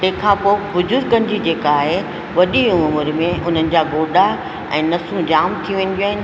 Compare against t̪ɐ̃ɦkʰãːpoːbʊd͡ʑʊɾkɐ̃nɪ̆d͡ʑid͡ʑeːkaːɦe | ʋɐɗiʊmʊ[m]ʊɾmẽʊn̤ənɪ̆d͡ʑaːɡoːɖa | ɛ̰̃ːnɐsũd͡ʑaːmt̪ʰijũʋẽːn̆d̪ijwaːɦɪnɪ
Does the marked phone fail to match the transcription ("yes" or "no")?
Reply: no